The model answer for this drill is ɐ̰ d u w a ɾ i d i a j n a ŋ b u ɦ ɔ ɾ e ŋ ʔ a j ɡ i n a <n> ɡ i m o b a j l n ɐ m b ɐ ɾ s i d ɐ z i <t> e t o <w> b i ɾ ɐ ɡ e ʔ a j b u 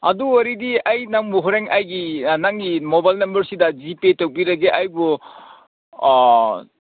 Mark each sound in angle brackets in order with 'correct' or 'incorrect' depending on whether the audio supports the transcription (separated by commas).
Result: incorrect, incorrect, correct